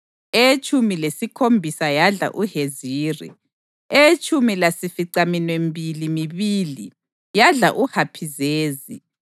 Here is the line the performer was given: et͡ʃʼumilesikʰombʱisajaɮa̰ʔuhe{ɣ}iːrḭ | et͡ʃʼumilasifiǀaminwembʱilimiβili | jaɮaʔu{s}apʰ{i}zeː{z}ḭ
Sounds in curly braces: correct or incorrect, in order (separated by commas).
incorrect, incorrect, correct, correct